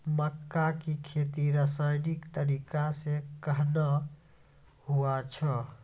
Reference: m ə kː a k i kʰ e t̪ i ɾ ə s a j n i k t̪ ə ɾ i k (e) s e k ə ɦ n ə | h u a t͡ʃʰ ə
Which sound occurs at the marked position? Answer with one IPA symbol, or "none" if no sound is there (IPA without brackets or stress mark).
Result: a